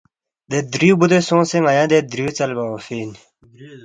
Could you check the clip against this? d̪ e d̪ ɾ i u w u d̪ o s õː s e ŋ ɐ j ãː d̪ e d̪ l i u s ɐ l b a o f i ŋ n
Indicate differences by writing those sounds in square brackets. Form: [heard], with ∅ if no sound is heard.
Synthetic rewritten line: d̪ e d̪ ɾ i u [b] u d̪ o s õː s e ŋ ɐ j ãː d̪ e d̪ [ɾ] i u [t͡s] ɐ l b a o f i [∅] n